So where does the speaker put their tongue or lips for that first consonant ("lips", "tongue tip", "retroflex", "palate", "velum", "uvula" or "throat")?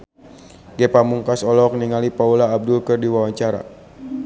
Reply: velum